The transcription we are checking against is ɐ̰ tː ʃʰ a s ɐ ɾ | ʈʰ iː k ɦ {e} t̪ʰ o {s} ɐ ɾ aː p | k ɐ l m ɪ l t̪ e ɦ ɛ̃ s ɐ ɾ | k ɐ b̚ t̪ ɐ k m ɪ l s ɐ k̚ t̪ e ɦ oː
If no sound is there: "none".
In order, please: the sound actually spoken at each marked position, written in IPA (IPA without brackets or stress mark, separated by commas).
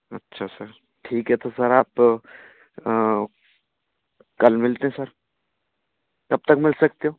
ɛ, s